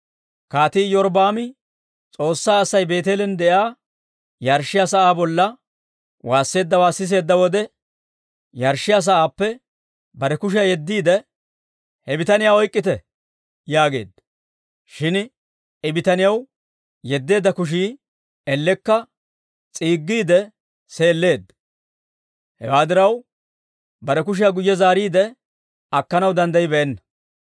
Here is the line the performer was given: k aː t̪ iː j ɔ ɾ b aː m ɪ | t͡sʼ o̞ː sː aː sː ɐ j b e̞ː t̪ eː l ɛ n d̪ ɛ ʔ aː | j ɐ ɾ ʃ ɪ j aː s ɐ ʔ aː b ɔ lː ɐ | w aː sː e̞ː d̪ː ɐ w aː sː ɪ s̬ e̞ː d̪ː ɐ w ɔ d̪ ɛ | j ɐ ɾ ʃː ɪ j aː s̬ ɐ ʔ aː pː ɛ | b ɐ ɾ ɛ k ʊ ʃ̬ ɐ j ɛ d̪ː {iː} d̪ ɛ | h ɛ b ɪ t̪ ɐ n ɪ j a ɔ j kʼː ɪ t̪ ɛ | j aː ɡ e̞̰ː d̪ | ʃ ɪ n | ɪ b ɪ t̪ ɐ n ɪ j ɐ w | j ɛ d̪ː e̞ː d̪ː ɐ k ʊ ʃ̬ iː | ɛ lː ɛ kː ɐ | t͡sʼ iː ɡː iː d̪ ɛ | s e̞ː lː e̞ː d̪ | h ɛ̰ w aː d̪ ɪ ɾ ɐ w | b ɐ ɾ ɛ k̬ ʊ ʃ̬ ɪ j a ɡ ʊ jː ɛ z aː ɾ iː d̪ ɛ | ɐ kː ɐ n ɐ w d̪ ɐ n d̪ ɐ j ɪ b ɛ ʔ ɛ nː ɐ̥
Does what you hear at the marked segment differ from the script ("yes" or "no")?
no